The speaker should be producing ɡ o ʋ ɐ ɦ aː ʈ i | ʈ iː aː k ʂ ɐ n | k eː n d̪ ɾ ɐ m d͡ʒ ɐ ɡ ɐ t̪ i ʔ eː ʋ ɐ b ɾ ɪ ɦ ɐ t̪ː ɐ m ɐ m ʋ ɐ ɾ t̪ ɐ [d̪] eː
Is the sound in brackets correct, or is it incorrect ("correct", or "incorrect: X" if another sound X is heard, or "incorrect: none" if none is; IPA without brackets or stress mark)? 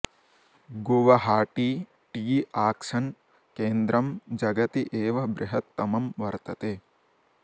incorrect: t̪